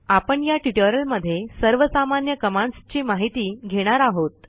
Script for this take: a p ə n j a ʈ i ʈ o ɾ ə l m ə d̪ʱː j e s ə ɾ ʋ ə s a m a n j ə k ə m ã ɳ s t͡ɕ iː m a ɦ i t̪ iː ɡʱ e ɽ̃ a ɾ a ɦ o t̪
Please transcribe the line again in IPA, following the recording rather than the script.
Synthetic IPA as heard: a p ə ɳ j a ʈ i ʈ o ɾ ə l m ə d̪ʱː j e s ə ɾ ʋ ə s a m a n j ə k ə m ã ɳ s t͡ɕ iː m a ɦ i t̪ iː ɡʱ e ɽ̃ a ɾ a ɦ o t̪